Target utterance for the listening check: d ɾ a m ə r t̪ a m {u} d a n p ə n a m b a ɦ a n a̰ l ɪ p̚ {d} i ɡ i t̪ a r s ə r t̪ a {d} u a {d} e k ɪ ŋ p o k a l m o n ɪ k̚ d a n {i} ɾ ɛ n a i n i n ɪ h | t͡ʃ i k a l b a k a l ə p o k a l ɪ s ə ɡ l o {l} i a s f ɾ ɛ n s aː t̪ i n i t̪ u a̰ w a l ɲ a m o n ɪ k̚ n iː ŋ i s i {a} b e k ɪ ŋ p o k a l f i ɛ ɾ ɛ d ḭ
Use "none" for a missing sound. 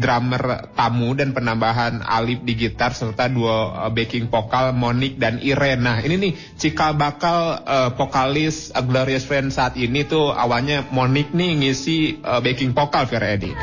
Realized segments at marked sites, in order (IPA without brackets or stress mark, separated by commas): u, d, d, b, i, ɾ, ə